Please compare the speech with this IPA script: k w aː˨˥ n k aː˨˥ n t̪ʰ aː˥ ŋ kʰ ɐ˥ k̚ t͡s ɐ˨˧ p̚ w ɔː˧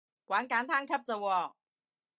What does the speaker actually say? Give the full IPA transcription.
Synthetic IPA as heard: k w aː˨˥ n k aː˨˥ n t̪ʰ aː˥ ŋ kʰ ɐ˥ p̚ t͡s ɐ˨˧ w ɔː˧